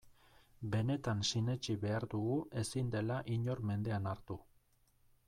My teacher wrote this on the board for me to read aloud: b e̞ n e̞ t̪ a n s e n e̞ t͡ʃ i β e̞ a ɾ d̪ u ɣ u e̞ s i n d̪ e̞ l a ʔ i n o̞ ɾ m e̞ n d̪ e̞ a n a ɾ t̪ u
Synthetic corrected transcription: b e̞ n e̞ t̪ a n s i n e̞ t͡ʃ i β e̞ a ɾ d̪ u ɣ u e̞ s i n d̪ e̞ l a ʔ i ɲ o̞ ɾ m e̞ n d̪ e̞ a n a ɾ t̪ u